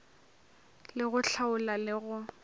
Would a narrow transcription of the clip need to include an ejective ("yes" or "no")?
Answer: no